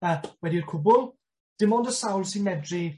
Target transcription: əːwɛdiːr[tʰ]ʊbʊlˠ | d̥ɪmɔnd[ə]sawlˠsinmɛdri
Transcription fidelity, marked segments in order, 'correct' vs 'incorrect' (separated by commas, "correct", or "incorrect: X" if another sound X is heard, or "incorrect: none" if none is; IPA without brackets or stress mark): incorrect: kʰ, correct